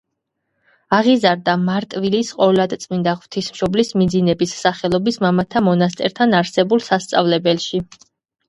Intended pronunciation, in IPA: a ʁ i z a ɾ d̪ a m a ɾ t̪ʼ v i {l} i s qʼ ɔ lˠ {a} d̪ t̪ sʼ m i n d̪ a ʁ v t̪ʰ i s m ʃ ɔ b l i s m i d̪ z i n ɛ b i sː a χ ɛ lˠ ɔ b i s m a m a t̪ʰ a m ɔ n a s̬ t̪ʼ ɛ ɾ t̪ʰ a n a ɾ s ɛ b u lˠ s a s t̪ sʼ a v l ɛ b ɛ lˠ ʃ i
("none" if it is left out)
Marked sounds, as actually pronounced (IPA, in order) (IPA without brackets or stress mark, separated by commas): l, a